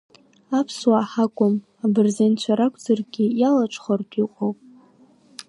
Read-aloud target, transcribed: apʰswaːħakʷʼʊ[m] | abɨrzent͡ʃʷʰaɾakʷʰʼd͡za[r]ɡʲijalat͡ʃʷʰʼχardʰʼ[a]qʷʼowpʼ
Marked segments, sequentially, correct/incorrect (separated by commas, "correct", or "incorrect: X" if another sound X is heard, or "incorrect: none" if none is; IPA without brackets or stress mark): correct, correct, incorrect: i